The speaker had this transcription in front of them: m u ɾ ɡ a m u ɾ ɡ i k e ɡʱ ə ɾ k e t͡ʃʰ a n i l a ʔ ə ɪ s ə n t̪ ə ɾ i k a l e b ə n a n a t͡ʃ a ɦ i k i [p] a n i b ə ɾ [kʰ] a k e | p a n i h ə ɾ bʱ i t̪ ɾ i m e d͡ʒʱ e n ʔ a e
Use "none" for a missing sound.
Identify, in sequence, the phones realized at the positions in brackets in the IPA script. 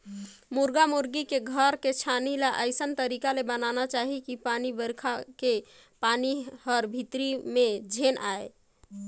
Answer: p, kʰ

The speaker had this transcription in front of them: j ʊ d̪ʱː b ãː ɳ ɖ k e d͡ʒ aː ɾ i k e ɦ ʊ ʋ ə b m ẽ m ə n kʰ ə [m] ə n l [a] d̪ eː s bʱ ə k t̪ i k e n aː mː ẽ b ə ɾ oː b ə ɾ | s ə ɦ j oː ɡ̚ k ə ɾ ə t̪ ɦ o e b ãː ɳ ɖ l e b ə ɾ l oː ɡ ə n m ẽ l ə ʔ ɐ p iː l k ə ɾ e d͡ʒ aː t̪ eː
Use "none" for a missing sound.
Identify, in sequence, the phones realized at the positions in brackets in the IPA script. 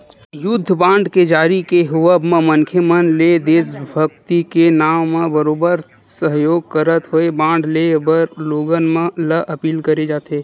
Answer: m, e

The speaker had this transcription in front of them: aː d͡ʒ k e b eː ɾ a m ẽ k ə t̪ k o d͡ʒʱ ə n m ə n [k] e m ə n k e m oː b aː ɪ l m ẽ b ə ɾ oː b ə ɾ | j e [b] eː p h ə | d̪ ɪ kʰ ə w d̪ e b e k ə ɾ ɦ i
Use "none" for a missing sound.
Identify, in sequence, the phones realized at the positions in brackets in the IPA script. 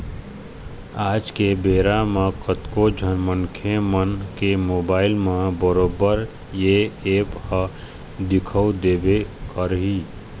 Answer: kʰ, none

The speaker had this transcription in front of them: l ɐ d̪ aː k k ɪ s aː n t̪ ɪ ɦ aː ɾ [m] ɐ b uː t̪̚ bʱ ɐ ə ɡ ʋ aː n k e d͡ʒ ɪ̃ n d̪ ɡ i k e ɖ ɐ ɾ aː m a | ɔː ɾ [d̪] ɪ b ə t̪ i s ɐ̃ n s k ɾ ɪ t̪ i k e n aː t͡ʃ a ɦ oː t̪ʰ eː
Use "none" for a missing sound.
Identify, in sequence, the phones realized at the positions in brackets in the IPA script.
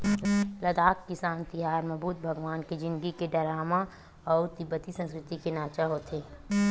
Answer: m, t̪

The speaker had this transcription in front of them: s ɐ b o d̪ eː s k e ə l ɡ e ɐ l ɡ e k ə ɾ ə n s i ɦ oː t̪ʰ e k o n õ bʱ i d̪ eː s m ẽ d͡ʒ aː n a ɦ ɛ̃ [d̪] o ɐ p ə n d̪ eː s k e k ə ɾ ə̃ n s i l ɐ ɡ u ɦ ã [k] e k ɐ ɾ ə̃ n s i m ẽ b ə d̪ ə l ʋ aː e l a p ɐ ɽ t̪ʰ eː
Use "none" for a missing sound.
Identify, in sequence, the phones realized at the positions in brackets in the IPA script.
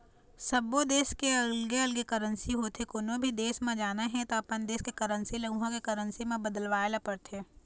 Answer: t̪, k

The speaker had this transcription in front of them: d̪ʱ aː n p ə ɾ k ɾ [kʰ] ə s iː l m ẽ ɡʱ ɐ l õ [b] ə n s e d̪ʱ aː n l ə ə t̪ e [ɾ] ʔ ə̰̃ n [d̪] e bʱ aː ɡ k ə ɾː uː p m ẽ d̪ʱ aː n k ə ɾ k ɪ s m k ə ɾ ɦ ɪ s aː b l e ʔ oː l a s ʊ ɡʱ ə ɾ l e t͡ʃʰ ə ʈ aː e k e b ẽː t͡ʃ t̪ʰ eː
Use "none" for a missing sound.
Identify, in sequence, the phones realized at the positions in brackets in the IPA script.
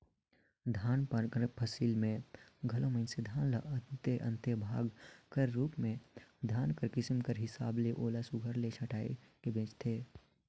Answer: pʰ, m, none, t̪

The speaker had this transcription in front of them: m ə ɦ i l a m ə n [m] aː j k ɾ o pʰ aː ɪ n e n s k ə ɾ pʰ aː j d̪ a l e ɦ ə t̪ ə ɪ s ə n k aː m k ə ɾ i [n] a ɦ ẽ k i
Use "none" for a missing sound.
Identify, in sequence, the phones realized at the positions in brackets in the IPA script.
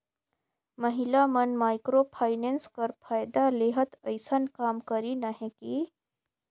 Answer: m, n

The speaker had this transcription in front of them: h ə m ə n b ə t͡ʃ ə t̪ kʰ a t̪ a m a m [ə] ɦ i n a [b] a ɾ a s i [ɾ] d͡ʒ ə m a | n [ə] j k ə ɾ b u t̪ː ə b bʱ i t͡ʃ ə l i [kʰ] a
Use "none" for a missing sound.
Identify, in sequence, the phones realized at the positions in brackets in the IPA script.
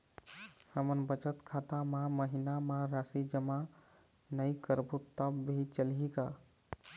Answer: ə, m, none, ə, k

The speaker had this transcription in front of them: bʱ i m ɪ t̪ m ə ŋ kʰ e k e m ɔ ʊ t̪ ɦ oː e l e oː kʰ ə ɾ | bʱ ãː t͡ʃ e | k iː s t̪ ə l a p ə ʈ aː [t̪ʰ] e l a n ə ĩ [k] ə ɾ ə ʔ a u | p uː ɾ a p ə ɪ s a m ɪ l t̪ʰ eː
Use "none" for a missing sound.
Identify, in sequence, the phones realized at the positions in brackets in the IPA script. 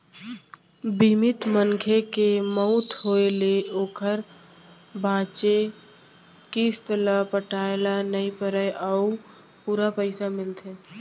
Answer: none, p

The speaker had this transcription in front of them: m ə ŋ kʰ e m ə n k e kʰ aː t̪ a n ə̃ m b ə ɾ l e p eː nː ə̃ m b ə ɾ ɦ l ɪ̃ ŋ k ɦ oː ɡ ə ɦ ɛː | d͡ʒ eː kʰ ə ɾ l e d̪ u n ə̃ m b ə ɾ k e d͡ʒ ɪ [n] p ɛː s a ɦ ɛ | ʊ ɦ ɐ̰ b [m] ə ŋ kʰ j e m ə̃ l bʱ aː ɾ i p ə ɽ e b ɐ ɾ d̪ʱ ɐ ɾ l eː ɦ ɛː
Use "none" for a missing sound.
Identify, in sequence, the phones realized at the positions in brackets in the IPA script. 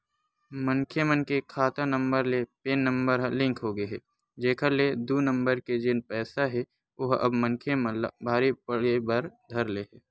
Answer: n, m

